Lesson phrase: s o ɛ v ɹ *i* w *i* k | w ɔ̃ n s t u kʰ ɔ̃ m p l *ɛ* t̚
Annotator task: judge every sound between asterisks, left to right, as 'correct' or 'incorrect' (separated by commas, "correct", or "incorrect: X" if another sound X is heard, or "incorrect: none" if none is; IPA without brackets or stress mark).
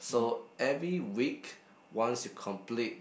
correct, correct, incorrect: i